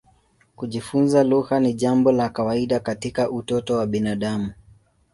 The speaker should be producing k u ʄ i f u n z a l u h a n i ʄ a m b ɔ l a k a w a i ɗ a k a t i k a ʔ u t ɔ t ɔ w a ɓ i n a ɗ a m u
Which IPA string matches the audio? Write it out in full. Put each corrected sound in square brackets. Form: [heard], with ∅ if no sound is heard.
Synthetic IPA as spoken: k u ʄ i f u n z a l u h a n i ʄ a m b ɔ l a k a w a i ɗ a k a t i k a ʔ u t ɔ t ɔ w a ɓ i n a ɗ a m u